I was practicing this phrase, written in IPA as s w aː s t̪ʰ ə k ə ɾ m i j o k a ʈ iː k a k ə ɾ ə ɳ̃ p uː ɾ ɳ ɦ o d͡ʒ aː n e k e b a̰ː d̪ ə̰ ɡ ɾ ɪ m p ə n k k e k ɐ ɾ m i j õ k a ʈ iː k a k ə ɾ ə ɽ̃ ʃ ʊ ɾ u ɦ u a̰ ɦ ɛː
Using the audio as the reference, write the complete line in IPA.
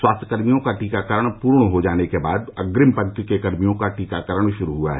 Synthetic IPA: s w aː s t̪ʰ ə k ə ɾ m i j õ k a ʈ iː k a k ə ɾ ə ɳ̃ p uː ɾ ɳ ɦ o d͡ʒ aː n e k e b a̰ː d̪ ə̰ ɡ ɾ ɪ m p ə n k k e k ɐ ɾ m i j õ k a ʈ iː k a k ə ɾ ə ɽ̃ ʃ ʊ ɾ u ɦ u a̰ ɦ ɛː

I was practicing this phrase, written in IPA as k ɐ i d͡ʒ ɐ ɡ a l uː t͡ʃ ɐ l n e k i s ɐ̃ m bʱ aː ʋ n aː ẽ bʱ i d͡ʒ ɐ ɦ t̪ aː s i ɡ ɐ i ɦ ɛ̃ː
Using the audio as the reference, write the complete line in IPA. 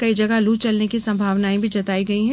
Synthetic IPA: k ɐ i d͡ʒ ɐ ɡ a l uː t͡ʃ ɐ l n e k i s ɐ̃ m bʱ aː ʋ n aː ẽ bʱ i d͡ʒ ɐ t̪ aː i ɡ ɐ i ɦ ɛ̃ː

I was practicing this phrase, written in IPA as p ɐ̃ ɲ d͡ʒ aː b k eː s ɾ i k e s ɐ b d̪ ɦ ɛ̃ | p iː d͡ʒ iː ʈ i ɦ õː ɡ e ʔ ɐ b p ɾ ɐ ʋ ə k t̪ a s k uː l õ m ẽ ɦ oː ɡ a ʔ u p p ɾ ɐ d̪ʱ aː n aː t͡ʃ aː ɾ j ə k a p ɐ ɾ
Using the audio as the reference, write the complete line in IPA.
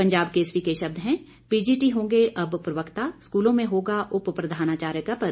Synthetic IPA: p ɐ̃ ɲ d͡ʒ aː b k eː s ɾ i k e ʃ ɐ b d̪ ɦ ɛ̃ | p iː d͡ʒ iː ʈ i ɦ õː ɡ e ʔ ɐ b p ɾ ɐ ʋ ə k t̪ a s k uː l õ m ẽ ɦ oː ɡ a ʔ ʊ p p ɾ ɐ d̪ʱ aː n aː t͡ʃ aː ɾ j ə k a p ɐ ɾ

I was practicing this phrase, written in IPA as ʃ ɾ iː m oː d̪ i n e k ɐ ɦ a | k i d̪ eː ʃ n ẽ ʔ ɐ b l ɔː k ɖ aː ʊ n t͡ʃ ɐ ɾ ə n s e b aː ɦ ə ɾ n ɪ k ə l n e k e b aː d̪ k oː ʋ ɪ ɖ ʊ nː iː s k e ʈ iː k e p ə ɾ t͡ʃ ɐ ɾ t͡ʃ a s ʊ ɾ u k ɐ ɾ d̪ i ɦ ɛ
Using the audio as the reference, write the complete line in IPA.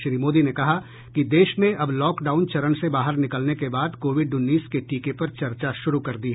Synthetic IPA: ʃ ɾ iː m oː d̪ i n e k ɐ ɦ a | k i d̪ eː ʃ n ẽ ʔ ɐ b l ɔː k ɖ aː ʊ n t͡ʃ ɐ ɾ ə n s e b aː ɦ ə ɾ n ɪ k ə l n e k e b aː d̪ k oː ʋ ɪ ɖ ʊ nː iː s k e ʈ iː k e p ɐ ɾ t͡ʃ ɐ ɾ t͡ʃ a ʃ ʊ ɾ u k ɐ ɾ d̪ i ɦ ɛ

